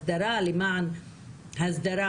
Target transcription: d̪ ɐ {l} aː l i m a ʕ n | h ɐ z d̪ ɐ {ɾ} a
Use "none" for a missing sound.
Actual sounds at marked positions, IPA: ɾ, ɾ

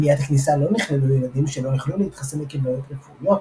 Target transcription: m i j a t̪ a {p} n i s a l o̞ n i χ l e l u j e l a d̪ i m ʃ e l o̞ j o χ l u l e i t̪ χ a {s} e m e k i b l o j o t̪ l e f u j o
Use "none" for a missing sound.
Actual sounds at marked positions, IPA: k, s

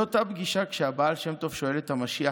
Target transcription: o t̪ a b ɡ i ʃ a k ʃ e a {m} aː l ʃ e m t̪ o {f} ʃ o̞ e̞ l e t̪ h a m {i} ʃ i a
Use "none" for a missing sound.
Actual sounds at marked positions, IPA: b, f, a

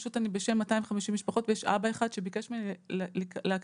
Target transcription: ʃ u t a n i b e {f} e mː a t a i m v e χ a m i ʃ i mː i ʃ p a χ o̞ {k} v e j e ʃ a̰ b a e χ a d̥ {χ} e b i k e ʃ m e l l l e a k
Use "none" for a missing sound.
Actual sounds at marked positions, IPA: ʃ, t, ʃ

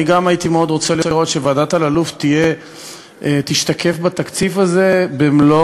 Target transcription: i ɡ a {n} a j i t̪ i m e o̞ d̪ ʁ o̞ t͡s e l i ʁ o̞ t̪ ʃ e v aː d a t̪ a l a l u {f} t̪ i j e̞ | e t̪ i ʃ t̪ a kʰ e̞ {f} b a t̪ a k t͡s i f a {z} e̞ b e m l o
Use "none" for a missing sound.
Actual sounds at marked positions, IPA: m, f, f, z

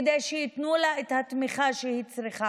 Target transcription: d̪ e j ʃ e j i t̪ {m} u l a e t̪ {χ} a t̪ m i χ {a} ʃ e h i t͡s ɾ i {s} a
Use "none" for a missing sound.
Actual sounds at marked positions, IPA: n, h, a, χ

